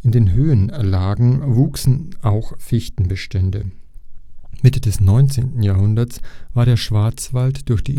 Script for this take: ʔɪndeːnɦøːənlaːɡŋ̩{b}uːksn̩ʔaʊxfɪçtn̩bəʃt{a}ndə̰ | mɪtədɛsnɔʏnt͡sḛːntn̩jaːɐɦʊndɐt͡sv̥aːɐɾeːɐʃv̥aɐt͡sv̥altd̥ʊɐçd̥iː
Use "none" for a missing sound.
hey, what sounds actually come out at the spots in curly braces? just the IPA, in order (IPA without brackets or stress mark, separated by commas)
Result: v, ɛ